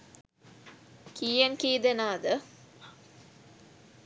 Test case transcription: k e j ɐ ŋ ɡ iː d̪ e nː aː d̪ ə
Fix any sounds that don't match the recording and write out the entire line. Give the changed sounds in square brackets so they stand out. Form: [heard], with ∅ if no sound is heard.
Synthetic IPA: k [i] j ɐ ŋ [k] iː d̪ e [n] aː d̪ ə